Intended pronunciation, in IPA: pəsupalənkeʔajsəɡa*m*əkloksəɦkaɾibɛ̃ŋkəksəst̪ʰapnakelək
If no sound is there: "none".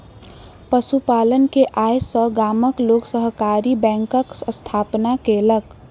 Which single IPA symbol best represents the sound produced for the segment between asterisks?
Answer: m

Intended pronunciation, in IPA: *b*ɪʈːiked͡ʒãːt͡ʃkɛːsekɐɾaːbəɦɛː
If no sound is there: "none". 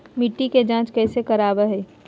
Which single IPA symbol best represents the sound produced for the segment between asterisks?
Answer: m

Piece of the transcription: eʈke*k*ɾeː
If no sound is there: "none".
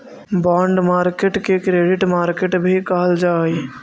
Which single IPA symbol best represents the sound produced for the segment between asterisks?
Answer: k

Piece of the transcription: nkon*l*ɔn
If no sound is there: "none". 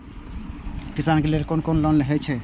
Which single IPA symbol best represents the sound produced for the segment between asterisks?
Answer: l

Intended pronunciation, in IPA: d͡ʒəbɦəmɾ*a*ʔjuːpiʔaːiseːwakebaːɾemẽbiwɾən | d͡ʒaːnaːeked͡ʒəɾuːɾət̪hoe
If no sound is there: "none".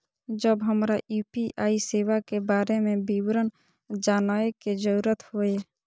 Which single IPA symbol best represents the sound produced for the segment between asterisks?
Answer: a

